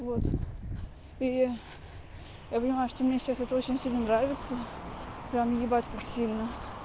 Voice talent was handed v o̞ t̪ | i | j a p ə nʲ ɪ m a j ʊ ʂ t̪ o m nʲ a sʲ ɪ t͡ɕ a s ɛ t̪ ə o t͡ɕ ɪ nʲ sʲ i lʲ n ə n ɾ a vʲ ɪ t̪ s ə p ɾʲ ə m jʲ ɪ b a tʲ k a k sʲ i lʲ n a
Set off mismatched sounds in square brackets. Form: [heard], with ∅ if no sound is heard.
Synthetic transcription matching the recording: v o̞ t̪ | i | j a p ə nʲ ɪ m a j ʊ ʂ t̪ o m nʲ [e] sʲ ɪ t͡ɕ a s ɛ t̪ ə o t͡ɕ ɪ nʲ sʲ i lʲ n ə n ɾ a vʲ ɪ t̪ s ə p ɾʲ [a] m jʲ ɪ b a tʲ k a k sʲ i lʲ n [ə]